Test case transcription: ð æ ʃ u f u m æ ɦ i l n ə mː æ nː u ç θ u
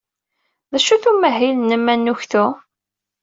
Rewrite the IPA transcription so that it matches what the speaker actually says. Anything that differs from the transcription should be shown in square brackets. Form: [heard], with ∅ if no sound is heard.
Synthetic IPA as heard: ð æ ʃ u [θ] u m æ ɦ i l n ə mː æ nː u ç θ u